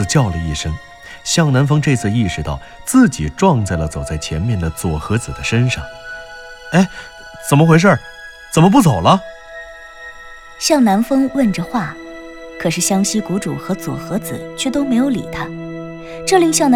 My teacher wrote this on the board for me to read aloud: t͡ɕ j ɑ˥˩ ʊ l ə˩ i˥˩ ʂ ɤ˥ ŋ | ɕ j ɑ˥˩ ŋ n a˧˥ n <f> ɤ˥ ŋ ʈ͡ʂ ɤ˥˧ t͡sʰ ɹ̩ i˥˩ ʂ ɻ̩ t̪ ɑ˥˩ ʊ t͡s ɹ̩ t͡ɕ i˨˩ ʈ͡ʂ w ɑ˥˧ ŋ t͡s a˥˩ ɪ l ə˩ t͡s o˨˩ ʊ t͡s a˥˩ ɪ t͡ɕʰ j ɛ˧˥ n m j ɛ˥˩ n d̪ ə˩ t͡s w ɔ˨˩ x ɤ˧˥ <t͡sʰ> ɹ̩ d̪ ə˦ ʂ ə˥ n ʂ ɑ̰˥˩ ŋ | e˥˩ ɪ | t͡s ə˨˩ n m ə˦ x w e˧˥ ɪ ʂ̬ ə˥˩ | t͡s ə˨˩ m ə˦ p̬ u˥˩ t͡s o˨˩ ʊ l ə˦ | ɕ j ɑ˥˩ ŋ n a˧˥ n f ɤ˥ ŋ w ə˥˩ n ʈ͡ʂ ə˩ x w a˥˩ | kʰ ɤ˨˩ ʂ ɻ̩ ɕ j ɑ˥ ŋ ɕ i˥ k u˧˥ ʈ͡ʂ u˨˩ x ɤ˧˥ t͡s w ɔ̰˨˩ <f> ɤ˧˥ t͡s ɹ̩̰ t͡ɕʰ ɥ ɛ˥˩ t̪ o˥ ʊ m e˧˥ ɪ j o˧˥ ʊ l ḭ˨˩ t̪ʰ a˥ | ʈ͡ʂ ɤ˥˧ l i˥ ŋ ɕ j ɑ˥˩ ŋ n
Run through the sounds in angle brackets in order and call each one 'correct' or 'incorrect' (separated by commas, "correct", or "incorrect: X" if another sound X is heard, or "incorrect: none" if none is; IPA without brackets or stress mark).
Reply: correct, incorrect: t͡s, incorrect: x